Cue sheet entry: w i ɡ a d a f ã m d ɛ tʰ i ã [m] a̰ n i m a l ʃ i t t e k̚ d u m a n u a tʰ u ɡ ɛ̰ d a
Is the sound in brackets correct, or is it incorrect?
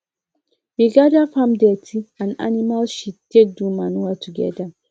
incorrect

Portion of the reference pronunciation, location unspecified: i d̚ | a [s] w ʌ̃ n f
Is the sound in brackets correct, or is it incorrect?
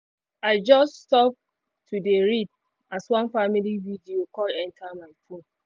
correct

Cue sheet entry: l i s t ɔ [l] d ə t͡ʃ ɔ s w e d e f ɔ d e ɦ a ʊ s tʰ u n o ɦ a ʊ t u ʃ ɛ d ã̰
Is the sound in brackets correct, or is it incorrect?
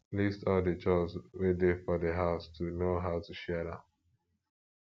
correct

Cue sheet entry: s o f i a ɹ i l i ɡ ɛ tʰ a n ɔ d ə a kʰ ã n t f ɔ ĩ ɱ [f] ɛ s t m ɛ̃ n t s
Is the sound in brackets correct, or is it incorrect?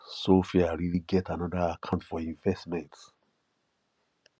incorrect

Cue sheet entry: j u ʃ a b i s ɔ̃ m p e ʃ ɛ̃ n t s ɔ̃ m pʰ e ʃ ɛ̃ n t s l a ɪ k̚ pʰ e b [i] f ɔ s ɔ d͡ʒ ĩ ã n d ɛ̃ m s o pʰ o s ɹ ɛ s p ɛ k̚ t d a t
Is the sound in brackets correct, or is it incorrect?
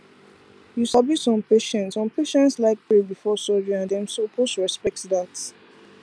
correct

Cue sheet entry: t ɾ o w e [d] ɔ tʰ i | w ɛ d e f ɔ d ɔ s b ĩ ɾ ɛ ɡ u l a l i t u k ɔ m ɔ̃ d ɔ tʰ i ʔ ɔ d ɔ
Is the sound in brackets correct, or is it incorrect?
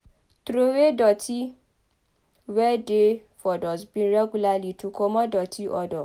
correct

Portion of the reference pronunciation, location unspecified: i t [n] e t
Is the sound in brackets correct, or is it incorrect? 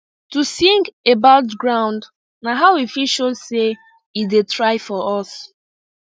incorrect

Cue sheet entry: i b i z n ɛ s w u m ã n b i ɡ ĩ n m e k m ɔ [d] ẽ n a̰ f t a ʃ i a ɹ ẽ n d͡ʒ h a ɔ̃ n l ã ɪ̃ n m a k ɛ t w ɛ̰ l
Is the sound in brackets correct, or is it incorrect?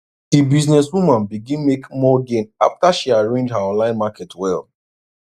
incorrect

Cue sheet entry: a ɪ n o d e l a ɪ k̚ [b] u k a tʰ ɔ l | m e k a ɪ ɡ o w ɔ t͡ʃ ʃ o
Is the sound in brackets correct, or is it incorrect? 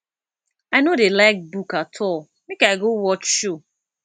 correct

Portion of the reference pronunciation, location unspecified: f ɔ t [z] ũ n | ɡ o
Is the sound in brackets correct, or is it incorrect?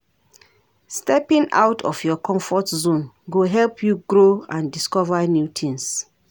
correct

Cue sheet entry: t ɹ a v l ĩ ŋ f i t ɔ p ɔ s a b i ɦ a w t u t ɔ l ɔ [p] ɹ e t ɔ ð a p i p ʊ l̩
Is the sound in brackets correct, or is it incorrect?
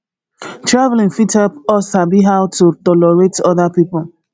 incorrect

